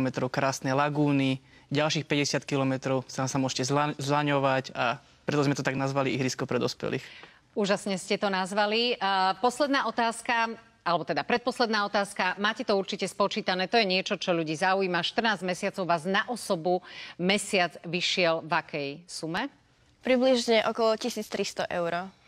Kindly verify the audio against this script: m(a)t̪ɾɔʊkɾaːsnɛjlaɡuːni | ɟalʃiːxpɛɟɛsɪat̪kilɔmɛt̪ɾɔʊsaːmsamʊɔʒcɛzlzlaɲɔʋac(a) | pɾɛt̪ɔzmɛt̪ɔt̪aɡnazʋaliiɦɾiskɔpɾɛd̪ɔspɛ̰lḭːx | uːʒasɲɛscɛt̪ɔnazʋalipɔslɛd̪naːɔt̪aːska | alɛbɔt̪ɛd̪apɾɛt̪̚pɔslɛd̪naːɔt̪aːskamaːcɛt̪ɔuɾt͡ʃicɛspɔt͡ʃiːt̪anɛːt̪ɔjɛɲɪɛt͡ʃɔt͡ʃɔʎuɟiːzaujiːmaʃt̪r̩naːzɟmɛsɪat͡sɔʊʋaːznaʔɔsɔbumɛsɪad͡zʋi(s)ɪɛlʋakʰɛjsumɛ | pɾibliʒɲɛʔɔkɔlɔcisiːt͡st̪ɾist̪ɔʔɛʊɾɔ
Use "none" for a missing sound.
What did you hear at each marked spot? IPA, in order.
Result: ɛ, a, ʃ

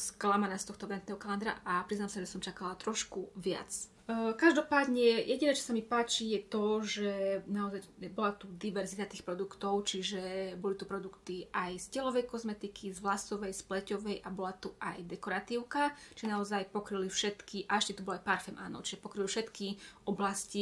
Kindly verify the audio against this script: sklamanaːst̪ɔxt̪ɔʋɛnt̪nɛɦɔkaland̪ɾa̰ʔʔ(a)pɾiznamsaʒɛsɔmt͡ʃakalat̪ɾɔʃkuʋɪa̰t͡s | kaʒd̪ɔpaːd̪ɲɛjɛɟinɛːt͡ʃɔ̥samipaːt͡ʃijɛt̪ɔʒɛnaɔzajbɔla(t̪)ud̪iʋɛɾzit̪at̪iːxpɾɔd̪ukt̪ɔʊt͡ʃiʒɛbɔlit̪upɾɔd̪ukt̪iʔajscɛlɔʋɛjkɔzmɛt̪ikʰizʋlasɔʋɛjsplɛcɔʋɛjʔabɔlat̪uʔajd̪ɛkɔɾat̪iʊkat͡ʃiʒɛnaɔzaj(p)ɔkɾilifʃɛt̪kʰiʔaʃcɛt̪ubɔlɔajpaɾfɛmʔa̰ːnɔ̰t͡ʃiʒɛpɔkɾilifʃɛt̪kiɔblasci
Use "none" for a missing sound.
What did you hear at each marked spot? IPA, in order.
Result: a, t̪, p

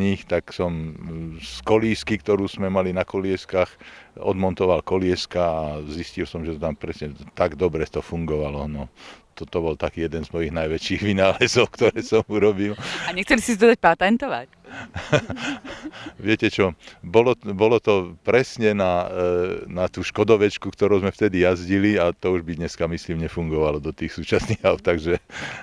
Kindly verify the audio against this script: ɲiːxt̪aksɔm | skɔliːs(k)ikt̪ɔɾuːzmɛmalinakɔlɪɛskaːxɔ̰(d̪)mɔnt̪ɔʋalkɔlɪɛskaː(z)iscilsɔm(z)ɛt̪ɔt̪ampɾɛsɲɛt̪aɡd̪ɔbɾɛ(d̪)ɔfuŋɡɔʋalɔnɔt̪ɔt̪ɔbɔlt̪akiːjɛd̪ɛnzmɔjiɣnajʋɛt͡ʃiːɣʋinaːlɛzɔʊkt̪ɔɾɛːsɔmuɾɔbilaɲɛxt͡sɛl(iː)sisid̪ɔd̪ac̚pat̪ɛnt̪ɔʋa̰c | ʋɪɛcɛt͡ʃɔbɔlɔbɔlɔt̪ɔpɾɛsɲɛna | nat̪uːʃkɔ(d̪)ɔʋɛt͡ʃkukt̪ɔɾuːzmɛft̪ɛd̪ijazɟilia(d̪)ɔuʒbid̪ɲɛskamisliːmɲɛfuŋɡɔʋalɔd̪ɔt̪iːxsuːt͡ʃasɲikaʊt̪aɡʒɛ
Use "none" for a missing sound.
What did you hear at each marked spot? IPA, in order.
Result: k, d̪, z, ʒ, t̪, i, d̪, t̪

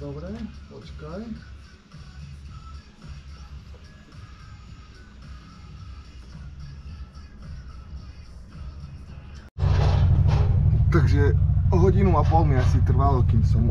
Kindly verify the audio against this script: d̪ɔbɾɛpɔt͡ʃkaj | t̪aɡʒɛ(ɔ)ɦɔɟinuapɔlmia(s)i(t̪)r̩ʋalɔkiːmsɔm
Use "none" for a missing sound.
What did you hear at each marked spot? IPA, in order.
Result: ɔ, s, t̪

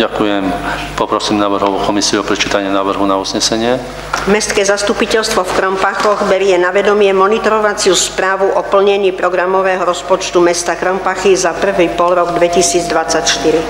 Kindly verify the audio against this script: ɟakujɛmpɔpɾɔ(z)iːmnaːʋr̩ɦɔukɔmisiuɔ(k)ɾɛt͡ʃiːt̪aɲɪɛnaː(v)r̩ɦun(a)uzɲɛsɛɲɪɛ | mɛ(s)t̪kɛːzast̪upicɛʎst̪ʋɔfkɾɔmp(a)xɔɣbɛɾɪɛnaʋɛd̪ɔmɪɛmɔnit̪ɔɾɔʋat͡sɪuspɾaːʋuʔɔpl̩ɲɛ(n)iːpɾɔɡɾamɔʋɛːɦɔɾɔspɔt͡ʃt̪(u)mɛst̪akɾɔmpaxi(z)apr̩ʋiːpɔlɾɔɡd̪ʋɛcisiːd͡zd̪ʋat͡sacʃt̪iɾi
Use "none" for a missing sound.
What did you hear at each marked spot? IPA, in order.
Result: s, p, ʋ, a, s, a, ɲ, u, z

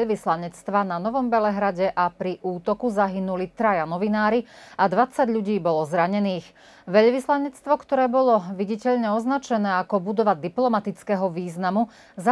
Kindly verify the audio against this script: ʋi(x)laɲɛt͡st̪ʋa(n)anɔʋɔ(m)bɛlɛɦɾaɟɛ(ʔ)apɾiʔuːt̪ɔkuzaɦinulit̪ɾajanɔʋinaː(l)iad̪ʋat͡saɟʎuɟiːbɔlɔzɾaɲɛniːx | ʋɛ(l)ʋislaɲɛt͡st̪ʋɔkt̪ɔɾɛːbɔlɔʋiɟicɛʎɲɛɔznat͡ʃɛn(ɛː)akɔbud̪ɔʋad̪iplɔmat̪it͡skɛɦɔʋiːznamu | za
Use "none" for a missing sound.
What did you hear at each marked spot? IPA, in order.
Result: s, n, m, ʔ, ɾ, ʎ, ɛː

